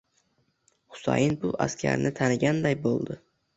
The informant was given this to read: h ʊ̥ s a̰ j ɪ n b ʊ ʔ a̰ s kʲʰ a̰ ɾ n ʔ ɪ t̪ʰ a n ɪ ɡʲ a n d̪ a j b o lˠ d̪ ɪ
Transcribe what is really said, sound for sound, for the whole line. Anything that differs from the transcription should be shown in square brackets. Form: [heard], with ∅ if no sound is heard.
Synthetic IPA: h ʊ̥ s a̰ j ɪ n b ʊ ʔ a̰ s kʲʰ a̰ ɾ n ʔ ɪ t̪ʰ a n ɪ ɡʲ a n d̪ a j b o lˠ d̪ ɪ

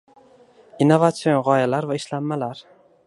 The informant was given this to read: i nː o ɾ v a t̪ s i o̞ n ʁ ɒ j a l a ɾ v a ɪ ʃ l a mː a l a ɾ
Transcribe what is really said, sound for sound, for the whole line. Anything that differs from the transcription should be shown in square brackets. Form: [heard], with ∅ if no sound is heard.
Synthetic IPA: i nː o [∅] v a t̪ s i o̞ n ʁ ɒ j a l a ɾ v a ɪ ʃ l a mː a l a ɾ

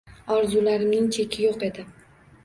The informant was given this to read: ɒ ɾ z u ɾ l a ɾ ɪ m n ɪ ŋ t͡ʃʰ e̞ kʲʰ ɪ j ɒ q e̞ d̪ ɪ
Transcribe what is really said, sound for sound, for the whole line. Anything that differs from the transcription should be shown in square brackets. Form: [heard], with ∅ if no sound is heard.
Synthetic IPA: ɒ ɾ z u [∅] l a ɾ ɪ m n ɪ ŋ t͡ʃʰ e̞ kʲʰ ɪ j [o] q e̞ d̪ ɪ

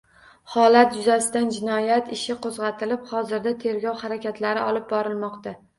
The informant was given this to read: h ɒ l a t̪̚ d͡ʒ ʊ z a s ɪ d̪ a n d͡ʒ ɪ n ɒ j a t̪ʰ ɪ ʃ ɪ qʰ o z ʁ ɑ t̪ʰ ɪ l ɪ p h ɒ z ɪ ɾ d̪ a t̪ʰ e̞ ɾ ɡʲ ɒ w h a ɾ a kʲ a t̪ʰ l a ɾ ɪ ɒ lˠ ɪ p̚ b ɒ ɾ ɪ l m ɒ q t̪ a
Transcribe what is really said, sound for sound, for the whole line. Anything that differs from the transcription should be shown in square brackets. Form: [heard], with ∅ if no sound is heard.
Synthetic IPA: h ɒ l a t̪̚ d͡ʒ ʊ z a s ɪ d̪ a n d͡ʒ ɪ n ɒ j a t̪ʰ ɪ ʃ ɪ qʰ o z ʁ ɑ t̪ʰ ɪ l ɪ p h ɒ z ɪ ɾ d̪ a t̪ʰ e̞ ɾ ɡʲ ɒ w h a ɾ a kʲ a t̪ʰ l a ɾ ɪ ɒ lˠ ɪ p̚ b ɒ ɾ ɪ l m ɒ q t̪ a

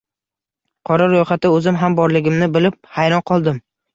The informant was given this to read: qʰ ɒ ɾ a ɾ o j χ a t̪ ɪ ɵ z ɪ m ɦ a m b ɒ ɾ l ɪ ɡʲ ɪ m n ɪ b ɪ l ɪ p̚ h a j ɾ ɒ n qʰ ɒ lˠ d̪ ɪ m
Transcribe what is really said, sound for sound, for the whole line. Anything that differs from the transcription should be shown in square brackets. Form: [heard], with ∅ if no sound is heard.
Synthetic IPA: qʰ ɒ ɾ a ɾ o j χ a t̪ ɪ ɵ z ɪ m ɦ a m b ɒ ɾ l ɪ ɡʲ ɪ m n ɪ b ɪ l ɪ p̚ h a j ɾ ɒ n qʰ ɒ lˠ d̪ ɪ m

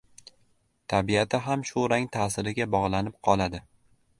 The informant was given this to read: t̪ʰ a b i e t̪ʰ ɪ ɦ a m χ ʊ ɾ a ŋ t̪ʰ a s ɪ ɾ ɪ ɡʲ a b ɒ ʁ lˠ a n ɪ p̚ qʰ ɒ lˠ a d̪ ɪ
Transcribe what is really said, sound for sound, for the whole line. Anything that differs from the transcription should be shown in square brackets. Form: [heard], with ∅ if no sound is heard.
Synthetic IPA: t̪ʰ a b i [a] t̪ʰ ɪ ɦ a m [ʃ] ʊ ɾ a ŋ t̪ʰ a s ɪ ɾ ɪ ɡʲ a b ɒ ʁ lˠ a n ɪ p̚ qʰ ɒ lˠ a d̪ ɪ

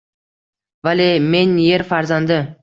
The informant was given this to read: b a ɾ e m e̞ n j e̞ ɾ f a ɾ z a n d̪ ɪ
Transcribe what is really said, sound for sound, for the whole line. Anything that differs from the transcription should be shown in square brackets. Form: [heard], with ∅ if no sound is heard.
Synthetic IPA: [v] a [l] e m e̞ n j e̞ ɾ f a ɾ z a n d̪ ɪ

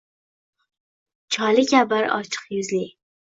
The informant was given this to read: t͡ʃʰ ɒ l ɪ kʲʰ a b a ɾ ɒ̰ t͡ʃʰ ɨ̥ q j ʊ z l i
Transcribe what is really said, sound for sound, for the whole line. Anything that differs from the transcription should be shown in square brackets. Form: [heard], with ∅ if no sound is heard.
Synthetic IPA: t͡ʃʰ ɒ l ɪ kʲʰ a b a ɾ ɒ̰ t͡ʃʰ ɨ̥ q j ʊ z l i

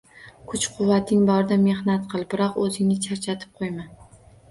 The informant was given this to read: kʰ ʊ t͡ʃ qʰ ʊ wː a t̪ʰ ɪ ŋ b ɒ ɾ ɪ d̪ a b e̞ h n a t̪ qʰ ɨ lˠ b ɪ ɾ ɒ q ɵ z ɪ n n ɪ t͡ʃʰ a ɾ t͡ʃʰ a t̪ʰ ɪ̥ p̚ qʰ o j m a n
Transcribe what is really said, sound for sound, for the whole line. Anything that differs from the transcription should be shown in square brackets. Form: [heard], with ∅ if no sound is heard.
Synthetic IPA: kʰ ʊ t͡ʃ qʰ ʊ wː a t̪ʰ ɪ ŋ b ɒ ɾ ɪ d̪ a [m] e̞ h n a t̪ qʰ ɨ lˠ b ɪ ɾ ɒ q ɵ z ɪ [ŋ] n ɪ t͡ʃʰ a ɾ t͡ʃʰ a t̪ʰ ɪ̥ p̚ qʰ o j m a n

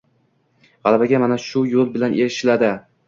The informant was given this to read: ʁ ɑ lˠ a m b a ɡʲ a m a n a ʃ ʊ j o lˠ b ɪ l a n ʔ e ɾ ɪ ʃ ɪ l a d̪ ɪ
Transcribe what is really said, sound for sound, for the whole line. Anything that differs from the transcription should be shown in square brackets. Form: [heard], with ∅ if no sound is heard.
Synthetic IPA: ʁ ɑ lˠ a [∅] b a ɡʲ a m a n a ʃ ʊ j o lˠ b ɪ l a n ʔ e ɾ ɪ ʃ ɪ l a d̪ ɪ

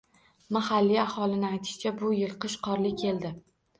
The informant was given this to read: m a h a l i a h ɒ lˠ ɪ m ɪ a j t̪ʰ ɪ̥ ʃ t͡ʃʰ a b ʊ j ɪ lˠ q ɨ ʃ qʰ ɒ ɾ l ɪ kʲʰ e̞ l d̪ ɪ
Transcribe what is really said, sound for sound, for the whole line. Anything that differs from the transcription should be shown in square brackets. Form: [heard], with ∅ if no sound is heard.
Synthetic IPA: m a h a [lː] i a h ɒ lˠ ɪ [n] ɪ a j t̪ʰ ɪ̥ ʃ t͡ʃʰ a b ʊ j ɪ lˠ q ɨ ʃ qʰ ɒ ɾ l ɪ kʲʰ e̞ l d̪ ɪ

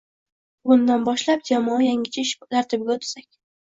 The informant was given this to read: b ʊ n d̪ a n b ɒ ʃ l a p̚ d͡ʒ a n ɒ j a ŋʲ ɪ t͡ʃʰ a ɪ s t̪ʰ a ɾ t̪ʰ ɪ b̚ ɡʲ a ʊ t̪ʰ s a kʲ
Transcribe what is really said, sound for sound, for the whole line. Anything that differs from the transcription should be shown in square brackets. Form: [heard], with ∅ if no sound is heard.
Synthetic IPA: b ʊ n d̪ a n b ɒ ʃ l a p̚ d͡ʒ a [m] ɒ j a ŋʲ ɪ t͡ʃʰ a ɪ [ʃ] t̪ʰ a ɾ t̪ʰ ɪ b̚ ɡʲ a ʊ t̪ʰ s a kʲ

